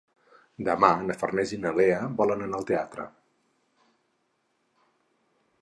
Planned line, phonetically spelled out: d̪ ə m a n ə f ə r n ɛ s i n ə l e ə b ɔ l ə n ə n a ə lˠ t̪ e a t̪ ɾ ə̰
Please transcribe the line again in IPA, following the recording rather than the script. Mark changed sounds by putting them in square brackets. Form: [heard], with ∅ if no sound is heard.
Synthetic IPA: d̪ ə m a n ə f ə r n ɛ [z] i n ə l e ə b ɔ l ə n ə n a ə lˠ t̪ e a t̪ ɾ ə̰